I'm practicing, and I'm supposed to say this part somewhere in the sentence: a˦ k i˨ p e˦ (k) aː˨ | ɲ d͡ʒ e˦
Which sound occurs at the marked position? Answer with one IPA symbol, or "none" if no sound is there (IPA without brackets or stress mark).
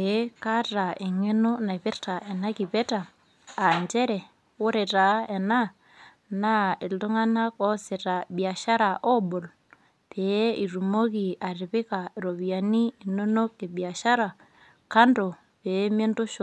t